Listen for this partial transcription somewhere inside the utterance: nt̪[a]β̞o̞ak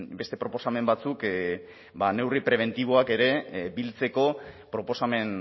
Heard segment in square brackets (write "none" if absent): i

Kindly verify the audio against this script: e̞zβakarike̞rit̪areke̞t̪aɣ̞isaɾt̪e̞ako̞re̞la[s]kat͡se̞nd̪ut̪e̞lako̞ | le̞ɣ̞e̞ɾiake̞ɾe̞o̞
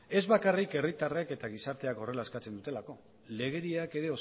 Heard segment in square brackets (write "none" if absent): s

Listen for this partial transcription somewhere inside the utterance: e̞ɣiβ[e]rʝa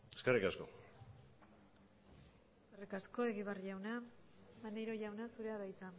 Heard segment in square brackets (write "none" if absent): a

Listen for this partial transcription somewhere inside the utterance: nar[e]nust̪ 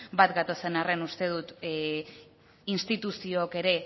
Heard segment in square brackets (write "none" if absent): e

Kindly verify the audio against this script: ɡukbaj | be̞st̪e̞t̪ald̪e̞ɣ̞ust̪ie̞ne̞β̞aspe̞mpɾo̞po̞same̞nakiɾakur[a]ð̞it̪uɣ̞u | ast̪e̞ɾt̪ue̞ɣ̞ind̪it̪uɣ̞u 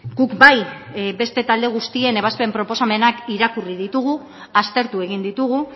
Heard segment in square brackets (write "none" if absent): i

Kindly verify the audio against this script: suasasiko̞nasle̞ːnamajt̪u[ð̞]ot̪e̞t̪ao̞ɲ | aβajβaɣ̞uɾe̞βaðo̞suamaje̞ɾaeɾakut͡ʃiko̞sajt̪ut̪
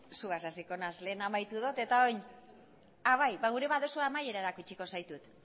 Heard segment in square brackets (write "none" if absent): ð̞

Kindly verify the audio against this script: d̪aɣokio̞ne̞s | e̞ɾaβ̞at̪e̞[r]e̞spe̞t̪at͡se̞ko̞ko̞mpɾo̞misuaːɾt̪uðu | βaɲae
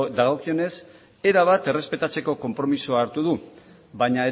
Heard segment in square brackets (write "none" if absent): r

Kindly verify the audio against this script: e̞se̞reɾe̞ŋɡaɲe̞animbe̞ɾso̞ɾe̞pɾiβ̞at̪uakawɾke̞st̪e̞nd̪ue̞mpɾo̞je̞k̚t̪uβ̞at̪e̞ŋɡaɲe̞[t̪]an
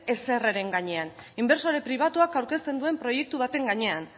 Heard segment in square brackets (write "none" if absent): none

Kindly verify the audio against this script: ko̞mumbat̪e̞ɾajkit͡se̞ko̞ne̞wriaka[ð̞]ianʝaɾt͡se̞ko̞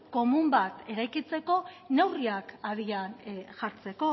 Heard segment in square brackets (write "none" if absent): ð̞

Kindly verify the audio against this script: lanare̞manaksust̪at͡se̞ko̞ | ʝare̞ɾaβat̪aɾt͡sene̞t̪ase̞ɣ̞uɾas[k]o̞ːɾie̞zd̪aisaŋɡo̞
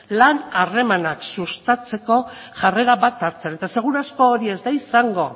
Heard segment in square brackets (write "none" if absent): k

